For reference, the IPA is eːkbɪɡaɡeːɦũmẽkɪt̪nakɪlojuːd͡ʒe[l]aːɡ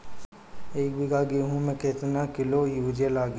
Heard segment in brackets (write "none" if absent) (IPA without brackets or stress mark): l